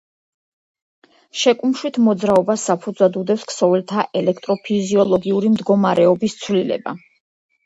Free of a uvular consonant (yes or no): yes